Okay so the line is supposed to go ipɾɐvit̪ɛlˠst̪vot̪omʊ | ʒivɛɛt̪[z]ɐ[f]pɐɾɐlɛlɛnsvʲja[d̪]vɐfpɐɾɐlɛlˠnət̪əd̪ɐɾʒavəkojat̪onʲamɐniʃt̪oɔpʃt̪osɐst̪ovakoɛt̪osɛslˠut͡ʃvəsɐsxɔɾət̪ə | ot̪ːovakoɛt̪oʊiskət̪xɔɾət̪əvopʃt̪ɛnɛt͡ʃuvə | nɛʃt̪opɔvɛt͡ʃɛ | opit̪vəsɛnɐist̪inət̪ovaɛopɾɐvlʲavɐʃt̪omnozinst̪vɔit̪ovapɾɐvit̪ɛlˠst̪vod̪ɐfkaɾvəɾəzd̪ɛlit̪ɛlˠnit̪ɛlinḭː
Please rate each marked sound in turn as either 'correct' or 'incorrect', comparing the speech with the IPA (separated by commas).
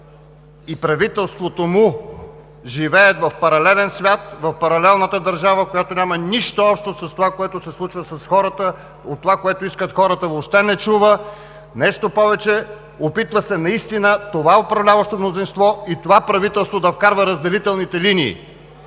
incorrect, correct, incorrect